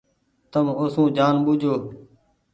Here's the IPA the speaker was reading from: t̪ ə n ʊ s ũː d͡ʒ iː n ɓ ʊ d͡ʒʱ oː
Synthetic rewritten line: t̪ ə m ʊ s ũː d͡ʒ aː n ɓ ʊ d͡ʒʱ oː